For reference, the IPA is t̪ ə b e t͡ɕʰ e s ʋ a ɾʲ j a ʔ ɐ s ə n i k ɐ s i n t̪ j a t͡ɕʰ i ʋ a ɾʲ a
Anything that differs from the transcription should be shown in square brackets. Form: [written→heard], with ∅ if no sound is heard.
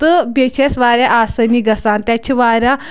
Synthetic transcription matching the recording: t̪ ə b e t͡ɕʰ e s ʋ a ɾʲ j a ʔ [ɐ→a] s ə n i [k→ɡ] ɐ s [i→a] n t̪ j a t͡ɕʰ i ʋ a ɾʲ a